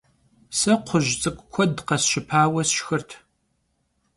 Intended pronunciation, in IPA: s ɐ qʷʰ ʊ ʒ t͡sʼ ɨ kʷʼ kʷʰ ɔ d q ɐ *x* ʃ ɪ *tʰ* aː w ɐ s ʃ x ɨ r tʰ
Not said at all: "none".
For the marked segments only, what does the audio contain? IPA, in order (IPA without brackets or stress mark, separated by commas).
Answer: s, pʰ